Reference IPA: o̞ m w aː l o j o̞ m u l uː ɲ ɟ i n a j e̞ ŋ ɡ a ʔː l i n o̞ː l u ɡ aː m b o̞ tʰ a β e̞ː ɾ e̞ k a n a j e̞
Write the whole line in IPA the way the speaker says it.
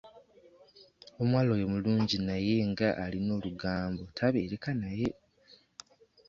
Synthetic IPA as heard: o̞ m w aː l o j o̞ m u l uː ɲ ɟ i n a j e̞ ŋ ɡ a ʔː l i n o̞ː l u ɡ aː m b o̞ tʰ a β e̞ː ɾ e̞ k a n a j e̞